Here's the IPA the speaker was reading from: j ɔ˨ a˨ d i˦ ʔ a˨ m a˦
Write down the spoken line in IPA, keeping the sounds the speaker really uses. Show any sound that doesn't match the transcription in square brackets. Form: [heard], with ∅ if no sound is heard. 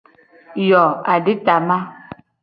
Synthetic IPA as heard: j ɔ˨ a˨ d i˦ [t] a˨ m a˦